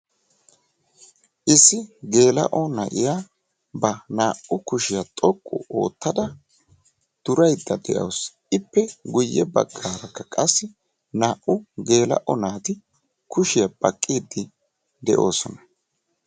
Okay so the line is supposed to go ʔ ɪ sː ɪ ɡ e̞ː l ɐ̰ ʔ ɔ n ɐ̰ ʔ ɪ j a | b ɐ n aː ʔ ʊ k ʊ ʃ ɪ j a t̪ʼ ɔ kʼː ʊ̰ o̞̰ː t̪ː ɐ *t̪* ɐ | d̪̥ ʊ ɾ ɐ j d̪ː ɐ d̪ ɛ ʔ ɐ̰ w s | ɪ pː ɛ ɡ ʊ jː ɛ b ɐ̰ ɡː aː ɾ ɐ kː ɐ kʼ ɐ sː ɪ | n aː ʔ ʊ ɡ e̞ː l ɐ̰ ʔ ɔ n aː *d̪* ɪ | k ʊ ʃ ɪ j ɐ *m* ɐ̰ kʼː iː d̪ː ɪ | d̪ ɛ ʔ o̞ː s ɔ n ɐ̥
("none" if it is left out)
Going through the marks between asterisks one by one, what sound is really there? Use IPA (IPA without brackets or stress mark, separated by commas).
d̪, t̪, b